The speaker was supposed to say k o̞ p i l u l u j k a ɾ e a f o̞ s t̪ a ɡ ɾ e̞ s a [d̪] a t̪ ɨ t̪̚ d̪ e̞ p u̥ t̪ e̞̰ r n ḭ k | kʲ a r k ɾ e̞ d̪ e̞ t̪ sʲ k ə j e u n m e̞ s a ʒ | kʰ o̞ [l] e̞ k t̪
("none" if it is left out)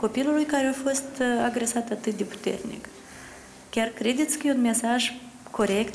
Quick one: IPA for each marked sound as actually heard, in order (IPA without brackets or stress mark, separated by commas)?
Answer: t̪, ɾ